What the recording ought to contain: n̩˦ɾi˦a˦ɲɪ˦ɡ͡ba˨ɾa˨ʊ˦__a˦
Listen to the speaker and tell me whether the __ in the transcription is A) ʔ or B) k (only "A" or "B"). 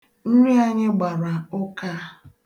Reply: B